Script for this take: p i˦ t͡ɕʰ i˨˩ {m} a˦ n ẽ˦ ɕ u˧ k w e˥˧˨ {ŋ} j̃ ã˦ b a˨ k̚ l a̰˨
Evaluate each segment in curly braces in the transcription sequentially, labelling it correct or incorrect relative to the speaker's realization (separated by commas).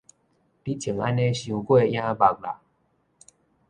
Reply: incorrect, incorrect